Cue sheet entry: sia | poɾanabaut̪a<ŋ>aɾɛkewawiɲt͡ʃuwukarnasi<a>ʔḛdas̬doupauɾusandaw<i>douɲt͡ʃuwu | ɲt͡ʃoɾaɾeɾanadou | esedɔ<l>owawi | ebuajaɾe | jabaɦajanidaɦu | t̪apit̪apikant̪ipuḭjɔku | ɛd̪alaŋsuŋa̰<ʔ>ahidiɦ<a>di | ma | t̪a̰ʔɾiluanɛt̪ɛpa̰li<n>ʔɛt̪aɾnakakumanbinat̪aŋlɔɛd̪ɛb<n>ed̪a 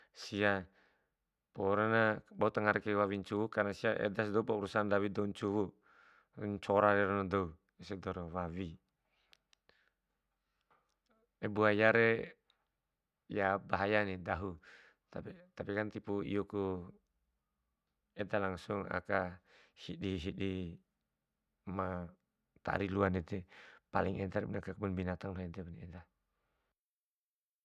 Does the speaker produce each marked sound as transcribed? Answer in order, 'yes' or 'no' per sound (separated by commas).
yes, yes, yes, no, no, no, no, yes